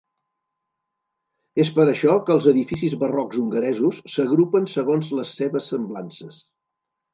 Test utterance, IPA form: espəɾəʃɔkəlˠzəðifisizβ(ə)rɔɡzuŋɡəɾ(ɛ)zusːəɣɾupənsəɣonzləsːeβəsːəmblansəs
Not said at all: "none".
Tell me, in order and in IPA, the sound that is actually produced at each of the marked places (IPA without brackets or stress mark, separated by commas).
ə, ɛ